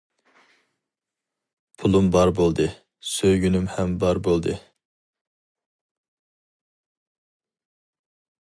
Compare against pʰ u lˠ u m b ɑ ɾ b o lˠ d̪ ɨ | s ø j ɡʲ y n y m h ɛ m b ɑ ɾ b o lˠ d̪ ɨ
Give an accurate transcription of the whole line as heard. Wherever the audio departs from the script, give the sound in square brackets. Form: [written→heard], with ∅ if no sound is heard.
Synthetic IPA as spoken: pʰ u lˠ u m b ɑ ɾ b o lˠ d̪ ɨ | s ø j ɡʲ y n y m h ɛ m b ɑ ɾ b o lˠ d̪ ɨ